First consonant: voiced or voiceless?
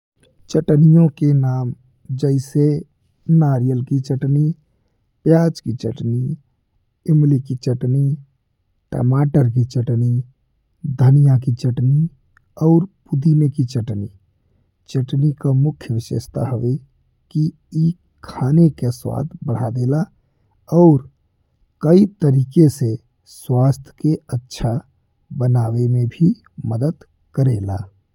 voiceless